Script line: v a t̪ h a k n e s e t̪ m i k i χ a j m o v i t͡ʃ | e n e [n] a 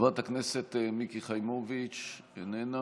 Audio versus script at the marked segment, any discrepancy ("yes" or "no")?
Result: no